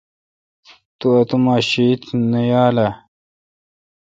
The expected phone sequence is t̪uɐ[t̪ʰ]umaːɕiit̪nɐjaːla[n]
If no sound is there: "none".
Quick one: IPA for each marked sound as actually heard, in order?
t̪, none

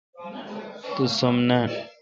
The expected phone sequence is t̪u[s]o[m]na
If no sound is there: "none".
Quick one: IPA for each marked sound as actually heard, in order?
s, m

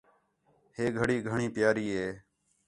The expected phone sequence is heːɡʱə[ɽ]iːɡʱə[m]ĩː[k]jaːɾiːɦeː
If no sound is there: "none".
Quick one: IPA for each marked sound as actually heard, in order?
ɽ, ɳ, p

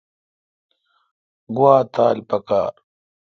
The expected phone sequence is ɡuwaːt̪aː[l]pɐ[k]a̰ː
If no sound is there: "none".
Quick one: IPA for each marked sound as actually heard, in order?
l, k

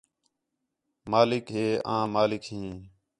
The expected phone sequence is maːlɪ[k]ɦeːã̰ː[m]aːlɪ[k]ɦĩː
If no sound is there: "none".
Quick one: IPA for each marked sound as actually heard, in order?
k, m, k

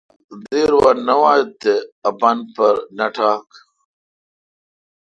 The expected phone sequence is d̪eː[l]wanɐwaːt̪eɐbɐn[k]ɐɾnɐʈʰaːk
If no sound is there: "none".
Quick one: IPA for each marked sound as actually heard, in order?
ɾ, p

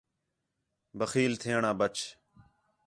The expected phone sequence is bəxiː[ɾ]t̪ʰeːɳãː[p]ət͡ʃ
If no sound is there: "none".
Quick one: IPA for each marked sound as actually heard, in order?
l, b

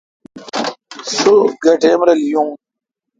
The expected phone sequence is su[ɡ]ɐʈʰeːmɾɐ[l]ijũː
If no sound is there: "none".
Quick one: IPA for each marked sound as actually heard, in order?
ɡ, l

